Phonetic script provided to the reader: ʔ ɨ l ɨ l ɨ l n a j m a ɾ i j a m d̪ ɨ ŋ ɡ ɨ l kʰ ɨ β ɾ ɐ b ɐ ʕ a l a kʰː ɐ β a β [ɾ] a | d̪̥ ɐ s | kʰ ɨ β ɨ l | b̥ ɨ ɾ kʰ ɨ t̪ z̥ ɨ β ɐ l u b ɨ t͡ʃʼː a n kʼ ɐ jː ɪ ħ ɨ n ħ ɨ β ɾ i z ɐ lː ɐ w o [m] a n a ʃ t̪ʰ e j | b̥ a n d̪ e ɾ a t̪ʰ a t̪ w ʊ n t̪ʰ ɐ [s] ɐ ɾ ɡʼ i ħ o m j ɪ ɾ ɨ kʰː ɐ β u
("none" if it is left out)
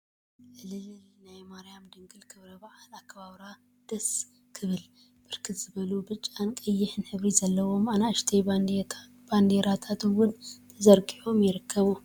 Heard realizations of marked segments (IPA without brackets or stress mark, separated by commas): ɾ, m, z